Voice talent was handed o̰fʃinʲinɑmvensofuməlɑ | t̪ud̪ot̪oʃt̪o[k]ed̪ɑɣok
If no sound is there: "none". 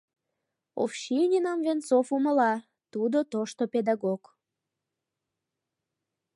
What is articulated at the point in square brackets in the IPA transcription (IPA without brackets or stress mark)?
p